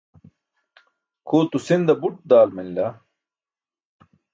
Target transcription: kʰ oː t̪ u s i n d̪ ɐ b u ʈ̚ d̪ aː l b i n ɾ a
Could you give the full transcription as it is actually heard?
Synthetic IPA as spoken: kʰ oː t̪ u s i n d̪ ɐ b u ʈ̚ d̪ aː l m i n l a